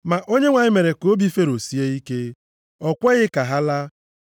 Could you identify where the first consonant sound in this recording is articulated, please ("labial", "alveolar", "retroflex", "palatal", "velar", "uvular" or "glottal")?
labial